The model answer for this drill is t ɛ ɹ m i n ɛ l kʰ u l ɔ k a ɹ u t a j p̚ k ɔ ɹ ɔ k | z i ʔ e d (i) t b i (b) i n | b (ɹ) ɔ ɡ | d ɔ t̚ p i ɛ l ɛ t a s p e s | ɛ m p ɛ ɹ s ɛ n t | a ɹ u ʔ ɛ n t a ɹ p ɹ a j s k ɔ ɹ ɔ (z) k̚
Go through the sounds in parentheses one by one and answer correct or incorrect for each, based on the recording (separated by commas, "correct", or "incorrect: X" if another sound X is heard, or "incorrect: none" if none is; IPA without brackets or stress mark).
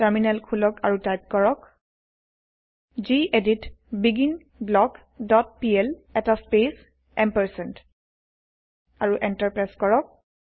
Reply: correct, incorrect: ɡ, incorrect: l, incorrect: none